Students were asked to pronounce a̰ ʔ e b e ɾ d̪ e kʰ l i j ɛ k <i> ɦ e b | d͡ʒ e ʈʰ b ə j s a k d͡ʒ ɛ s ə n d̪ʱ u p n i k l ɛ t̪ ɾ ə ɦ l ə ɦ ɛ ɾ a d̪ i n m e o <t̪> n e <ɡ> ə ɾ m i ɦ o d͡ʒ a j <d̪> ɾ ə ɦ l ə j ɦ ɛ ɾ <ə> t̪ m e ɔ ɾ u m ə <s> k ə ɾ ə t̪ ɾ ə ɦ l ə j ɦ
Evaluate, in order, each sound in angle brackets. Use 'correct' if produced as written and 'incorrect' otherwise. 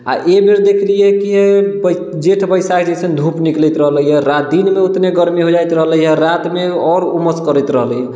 correct, correct, correct, incorrect: t̪, incorrect: a, correct

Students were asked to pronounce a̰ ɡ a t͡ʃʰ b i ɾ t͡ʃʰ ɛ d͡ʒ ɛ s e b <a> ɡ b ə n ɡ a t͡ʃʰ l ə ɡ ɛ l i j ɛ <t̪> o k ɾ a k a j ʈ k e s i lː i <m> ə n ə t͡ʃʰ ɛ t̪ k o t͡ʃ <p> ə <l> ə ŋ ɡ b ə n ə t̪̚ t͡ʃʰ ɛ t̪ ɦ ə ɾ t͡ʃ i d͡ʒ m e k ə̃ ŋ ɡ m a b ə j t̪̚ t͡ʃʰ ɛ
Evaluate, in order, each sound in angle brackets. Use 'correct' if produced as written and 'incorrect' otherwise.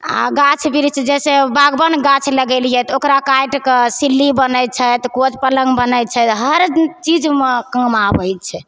correct, correct, incorrect: b, correct, correct

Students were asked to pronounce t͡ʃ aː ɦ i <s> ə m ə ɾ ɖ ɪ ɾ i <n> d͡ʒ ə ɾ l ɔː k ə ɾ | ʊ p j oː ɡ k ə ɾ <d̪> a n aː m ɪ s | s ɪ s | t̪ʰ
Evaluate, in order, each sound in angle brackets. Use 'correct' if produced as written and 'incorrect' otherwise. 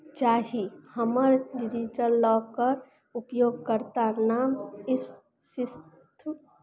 incorrect: h, incorrect: none, incorrect: t̪

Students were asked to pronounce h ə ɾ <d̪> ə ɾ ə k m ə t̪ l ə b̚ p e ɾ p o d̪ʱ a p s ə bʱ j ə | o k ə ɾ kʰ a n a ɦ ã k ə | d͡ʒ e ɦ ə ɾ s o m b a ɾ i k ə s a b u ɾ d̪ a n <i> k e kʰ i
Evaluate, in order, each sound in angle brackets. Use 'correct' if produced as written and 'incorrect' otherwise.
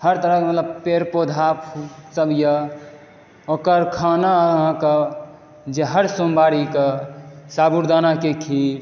incorrect: t̪, incorrect: a

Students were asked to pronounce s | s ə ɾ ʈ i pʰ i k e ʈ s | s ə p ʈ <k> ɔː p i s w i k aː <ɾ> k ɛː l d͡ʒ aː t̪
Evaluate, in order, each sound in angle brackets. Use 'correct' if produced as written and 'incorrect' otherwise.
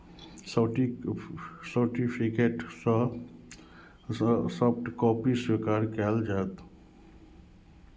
correct, correct

